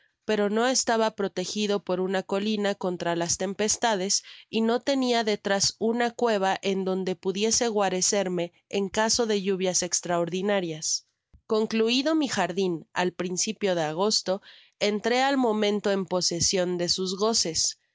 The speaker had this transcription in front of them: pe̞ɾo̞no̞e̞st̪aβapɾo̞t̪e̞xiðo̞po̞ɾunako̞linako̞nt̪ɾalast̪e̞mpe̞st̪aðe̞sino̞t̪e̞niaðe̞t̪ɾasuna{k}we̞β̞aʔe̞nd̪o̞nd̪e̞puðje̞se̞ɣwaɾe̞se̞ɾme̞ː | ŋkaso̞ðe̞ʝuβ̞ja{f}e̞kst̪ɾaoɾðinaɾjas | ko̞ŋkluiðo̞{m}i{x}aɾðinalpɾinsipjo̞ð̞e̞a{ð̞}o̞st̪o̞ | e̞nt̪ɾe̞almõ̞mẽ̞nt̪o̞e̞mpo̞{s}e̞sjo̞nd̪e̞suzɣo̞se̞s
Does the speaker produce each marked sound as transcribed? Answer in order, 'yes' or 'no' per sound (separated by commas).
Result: yes, no, yes, yes, no, yes